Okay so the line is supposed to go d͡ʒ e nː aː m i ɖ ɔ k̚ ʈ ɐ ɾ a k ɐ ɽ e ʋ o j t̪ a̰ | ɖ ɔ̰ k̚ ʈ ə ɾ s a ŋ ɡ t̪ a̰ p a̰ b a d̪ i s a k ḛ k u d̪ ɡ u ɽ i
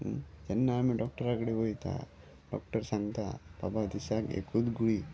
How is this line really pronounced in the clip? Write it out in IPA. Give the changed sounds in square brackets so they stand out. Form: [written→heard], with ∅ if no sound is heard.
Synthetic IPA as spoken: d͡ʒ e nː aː m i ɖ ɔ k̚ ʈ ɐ ɾ a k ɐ ɽ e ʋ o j t̪ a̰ | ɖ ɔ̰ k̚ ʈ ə ɾ s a ŋ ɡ t̪ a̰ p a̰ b a d̪ i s a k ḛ k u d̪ ɡ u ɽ i

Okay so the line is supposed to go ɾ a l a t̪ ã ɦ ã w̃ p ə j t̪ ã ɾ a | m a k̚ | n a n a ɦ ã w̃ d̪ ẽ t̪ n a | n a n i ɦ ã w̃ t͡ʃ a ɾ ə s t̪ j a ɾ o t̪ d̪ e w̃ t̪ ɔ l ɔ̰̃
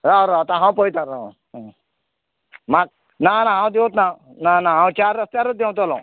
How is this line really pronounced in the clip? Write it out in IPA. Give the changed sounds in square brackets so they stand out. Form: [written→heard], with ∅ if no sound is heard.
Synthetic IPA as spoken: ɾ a [l→ɾ] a t̪ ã ɦ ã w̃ p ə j t̪ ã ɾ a | m a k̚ | n a n a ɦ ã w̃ d̪ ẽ t̪ n a | n a n [i→a] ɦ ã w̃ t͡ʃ a ɾ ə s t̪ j a ɾ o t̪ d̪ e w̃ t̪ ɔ l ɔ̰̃

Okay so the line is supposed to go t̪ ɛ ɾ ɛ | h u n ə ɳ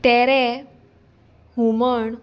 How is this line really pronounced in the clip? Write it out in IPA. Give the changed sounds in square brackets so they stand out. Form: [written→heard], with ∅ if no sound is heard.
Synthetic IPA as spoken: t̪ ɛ ɾ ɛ | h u [n→m] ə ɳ

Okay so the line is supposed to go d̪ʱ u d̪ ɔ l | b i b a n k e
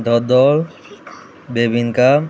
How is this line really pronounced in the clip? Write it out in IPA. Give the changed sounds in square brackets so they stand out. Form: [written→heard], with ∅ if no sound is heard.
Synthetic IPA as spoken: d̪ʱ [u→ɔ] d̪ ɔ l | b [i→e] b [a→i] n k [e→a]

